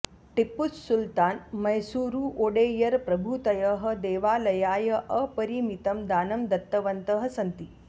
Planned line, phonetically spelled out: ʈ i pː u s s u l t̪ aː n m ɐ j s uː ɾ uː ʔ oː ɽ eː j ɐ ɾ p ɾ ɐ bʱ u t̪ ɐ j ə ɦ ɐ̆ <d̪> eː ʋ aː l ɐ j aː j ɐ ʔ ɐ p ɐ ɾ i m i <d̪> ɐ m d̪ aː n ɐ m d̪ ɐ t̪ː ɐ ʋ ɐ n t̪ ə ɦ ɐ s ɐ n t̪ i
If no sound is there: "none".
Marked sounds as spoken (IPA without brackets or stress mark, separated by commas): d̪, t̪